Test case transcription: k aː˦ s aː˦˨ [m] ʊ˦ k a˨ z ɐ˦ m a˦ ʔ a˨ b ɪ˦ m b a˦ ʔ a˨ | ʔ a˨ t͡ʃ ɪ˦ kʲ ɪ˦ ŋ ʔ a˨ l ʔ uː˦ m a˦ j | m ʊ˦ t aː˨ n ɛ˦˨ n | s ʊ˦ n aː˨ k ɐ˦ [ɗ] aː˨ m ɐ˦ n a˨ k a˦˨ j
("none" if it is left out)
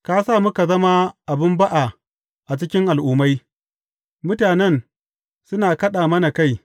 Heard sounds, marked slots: m, ɗ

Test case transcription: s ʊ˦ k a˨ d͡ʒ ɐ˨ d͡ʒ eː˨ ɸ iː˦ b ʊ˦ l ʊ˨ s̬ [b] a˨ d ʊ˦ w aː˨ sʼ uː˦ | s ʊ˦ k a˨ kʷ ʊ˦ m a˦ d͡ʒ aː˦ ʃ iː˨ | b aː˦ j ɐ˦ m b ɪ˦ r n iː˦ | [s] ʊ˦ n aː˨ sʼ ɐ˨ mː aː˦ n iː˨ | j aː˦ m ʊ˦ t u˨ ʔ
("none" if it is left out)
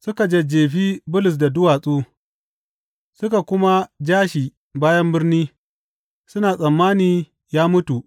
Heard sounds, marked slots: d, s

